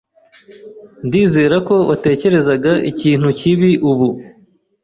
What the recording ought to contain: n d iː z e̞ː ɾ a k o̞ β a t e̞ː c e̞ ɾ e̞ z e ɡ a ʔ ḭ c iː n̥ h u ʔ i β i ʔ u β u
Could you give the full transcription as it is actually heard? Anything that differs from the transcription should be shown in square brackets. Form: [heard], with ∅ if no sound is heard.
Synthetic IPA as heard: n d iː z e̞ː ɾ a k o̞ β a t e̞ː c e̞ ɾ e̞ z [a] ɡ a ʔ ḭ c iː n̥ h u [c] i β i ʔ u β u